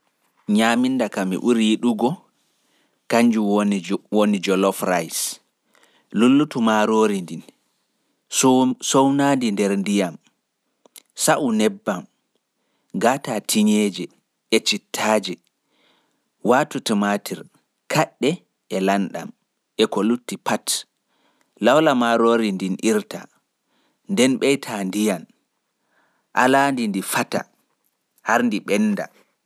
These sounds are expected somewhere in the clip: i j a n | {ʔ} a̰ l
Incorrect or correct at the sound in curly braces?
correct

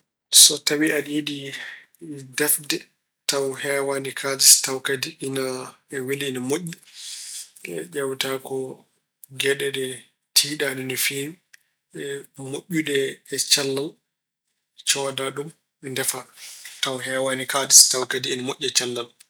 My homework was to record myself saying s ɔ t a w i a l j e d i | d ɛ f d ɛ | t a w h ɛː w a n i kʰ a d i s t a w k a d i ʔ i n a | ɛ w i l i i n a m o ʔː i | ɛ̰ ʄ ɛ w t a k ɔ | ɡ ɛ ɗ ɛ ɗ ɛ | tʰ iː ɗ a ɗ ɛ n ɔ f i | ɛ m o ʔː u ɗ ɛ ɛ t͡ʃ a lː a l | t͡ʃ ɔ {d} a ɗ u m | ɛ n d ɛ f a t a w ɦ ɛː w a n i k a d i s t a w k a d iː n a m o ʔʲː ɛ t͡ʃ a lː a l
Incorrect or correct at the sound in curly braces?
correct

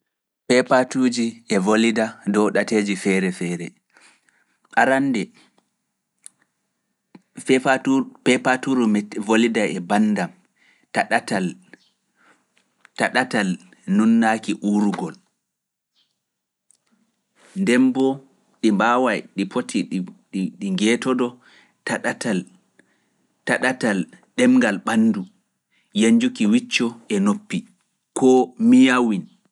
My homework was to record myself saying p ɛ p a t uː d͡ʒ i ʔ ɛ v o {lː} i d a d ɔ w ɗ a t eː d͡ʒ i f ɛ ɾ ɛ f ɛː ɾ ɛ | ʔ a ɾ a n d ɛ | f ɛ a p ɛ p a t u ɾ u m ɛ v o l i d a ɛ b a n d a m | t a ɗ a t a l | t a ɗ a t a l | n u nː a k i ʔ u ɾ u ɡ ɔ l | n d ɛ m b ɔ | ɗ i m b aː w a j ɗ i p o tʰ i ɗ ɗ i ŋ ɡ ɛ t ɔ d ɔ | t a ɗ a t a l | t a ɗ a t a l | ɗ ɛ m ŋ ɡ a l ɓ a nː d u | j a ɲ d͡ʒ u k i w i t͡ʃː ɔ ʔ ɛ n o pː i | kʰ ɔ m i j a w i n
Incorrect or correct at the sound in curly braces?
incorrect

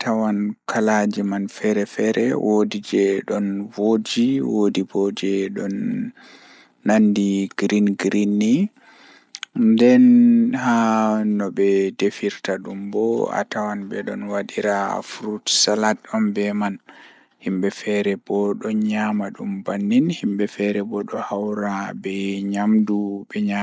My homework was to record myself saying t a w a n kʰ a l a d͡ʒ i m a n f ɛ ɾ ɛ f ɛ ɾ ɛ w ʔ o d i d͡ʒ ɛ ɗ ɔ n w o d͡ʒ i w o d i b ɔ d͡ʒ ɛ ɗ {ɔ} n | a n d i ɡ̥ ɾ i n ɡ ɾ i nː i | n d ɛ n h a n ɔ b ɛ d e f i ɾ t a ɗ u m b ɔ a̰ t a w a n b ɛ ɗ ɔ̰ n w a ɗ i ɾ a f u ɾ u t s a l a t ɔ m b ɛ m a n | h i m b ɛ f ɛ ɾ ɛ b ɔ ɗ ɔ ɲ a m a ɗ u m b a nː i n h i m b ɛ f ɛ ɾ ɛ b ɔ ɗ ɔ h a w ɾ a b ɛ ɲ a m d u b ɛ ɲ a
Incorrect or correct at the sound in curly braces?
correct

